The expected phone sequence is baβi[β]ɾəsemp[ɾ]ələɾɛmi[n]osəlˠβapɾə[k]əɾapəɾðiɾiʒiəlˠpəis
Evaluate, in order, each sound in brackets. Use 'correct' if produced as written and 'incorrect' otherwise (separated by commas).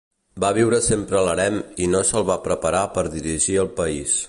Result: incorrect, correct, correct, incorrect